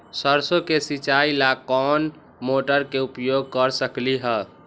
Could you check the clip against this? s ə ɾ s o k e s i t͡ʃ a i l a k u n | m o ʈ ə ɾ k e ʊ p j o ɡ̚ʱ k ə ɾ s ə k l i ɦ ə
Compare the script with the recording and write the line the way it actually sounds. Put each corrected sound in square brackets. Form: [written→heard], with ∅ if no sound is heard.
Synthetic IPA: s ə ɾ s o k e s i t͡ʃ a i l a k [u→ɔ] n | m o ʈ ə ɾ k e [ʊ→u] p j o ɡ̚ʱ k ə ɾ s ə k l i ɦ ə